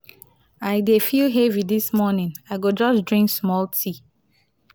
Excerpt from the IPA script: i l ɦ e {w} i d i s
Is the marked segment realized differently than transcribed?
yes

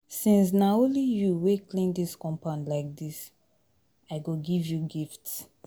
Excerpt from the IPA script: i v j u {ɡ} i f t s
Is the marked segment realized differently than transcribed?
no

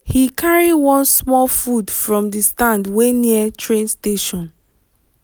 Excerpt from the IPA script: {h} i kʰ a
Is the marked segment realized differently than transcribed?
no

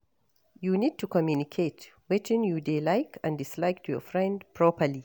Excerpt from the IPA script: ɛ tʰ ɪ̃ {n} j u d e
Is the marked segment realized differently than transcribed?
no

